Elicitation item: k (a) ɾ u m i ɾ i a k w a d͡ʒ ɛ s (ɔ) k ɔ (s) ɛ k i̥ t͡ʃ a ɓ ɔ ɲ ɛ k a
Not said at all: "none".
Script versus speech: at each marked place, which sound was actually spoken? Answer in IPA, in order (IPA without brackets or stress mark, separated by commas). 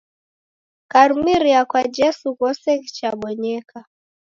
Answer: a, u, s